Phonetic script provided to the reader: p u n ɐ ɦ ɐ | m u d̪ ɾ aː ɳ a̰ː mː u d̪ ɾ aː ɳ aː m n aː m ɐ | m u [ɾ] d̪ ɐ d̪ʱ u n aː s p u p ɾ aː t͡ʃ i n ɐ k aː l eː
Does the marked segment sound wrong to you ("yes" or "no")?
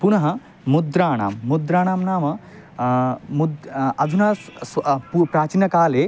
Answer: yes